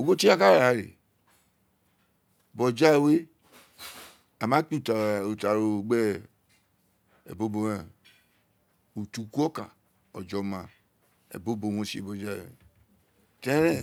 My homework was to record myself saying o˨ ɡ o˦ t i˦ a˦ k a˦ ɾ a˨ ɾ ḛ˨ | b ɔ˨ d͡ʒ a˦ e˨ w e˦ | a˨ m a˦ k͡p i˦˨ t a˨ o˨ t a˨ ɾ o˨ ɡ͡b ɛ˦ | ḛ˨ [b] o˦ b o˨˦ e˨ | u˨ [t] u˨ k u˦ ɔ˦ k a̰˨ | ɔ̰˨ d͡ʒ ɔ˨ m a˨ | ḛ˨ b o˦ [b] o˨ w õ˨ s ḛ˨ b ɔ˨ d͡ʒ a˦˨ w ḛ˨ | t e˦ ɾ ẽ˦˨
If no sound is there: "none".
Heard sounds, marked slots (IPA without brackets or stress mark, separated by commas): b, t, b